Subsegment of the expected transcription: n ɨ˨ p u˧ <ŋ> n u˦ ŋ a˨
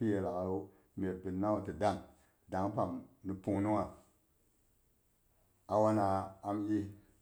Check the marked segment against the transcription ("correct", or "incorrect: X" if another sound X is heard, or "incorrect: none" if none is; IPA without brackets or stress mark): correct